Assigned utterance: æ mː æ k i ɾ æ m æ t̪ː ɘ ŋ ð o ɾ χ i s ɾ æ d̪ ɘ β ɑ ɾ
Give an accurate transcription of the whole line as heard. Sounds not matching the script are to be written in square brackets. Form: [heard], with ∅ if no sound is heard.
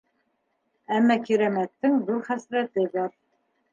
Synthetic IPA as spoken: æ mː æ k i ɾ æ m æ t̪ː ɘ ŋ ð [u] ɾ χ [æ] s ɾ æ [t̪] ɘ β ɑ ɾ